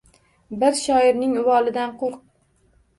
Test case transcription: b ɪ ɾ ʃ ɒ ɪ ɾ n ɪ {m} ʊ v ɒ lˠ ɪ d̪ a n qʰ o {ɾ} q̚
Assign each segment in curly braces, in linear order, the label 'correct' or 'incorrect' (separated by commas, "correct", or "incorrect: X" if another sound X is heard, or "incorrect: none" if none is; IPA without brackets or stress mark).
incorrect: ŋ, correct